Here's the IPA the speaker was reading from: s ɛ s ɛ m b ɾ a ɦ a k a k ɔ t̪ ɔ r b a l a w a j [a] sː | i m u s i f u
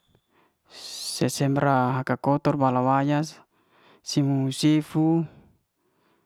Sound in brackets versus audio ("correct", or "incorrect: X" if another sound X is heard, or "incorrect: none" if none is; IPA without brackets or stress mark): correct